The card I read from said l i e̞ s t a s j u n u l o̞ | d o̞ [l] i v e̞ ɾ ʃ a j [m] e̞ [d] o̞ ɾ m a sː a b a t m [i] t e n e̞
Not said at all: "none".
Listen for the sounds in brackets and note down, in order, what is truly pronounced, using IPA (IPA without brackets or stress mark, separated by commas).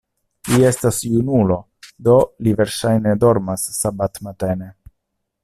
l, n, d, a